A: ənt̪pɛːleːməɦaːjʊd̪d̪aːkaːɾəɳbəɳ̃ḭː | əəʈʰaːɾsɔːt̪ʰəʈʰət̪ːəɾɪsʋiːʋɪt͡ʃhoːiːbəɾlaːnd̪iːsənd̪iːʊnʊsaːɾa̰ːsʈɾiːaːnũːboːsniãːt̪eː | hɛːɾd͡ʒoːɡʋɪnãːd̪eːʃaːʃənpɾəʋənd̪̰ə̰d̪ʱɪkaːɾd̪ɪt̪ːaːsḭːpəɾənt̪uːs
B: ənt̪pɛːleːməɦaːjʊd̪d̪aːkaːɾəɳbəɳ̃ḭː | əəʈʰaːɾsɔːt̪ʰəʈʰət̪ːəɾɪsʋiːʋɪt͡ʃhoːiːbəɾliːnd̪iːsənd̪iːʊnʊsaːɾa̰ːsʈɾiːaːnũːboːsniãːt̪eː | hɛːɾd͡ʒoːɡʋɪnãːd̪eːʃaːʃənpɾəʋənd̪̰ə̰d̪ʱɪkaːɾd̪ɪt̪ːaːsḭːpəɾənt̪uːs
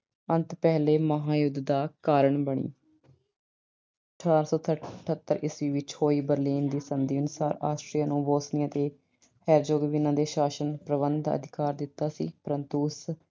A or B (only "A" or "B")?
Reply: B